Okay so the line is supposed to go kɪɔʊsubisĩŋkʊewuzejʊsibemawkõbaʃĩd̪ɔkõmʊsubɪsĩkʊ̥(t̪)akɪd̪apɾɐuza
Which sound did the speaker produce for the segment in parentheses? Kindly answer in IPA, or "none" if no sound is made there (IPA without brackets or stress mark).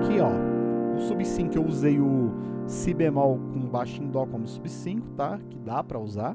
t̪